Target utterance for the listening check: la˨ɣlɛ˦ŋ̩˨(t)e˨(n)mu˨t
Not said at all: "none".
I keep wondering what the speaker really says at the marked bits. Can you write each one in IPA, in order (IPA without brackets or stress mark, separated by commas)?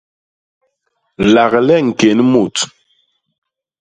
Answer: k, n